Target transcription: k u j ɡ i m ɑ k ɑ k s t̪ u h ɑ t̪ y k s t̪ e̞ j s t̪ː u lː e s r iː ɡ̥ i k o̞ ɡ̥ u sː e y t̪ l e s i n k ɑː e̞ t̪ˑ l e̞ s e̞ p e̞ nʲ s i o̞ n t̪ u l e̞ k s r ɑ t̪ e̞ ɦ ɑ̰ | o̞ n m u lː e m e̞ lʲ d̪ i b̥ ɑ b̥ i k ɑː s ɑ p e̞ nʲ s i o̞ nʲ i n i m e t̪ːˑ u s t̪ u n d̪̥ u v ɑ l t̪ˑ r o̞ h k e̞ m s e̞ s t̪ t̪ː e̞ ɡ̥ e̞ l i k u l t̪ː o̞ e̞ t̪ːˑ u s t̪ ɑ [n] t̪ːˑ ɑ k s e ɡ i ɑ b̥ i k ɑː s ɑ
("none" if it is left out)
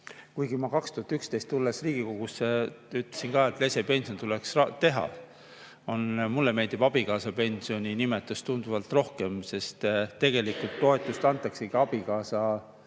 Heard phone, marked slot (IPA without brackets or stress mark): n